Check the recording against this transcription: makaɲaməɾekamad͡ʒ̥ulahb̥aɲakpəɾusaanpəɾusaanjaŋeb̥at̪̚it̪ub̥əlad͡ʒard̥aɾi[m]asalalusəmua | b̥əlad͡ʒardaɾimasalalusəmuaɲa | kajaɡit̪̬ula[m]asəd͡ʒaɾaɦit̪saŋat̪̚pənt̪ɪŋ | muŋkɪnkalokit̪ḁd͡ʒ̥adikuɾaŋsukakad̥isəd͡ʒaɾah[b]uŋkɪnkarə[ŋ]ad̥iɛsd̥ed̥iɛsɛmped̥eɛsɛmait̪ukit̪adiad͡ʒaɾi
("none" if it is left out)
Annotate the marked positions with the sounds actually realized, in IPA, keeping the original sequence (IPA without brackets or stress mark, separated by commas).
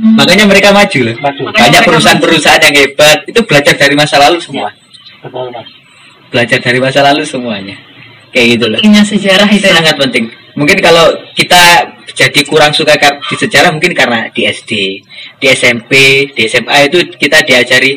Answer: m, ɲ, m, n